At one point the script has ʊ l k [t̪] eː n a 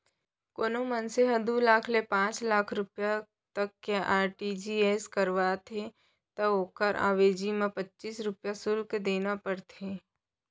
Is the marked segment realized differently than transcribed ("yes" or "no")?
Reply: yes